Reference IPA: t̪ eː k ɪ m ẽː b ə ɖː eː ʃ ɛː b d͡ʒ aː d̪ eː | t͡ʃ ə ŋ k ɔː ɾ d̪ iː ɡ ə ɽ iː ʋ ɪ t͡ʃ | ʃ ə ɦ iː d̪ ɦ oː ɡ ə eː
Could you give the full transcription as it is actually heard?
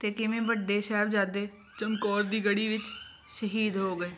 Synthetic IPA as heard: t̪ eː k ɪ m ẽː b ə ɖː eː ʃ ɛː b d͡ʒ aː d̪ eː | t͡ʃ ə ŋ k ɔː ɾ d̪ iː ɡ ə ɽ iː ʋ ɪ t͡ʃ | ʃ ə ɦ iː d̪ ɦ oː ɡ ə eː